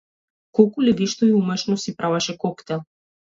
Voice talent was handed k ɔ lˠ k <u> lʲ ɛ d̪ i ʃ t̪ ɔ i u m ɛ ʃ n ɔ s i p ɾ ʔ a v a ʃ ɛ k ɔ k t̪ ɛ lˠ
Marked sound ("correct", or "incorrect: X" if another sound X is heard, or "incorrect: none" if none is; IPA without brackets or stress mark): correct